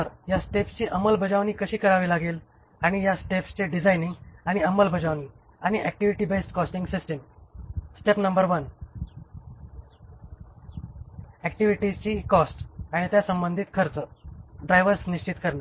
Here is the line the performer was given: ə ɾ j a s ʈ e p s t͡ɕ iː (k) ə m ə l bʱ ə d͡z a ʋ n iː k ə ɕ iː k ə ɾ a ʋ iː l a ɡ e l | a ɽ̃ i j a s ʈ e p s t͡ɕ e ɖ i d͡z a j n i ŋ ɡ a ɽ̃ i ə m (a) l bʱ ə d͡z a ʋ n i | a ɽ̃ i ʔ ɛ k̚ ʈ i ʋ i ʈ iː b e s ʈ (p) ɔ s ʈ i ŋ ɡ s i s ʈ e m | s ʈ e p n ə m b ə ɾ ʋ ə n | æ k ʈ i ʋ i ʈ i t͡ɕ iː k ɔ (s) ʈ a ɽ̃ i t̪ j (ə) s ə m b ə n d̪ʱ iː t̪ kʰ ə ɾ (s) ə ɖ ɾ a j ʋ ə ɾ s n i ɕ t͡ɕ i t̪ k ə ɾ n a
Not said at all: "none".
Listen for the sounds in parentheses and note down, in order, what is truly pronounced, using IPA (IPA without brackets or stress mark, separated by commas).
ʔ, ə, k, s, a, t͡s